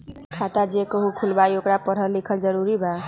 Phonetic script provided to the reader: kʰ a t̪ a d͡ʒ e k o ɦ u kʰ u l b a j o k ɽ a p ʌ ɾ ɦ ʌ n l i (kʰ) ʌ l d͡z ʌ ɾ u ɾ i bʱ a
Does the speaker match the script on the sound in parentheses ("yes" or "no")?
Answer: yes